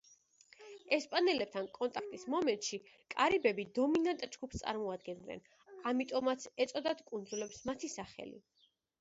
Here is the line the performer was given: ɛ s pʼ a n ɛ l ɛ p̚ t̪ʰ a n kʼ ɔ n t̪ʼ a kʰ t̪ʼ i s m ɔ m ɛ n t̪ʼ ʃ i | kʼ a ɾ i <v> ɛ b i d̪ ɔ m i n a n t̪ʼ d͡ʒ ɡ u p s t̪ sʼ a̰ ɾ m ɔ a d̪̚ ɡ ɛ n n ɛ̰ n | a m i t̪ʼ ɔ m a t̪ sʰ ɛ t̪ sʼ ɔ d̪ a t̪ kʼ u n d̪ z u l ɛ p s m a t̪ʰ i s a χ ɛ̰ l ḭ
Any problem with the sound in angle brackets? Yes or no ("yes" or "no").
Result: yes